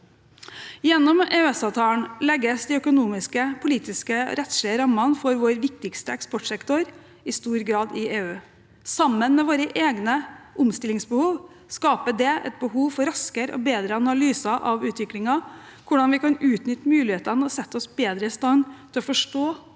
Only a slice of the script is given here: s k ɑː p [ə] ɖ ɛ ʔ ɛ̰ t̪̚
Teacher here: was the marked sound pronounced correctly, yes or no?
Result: yes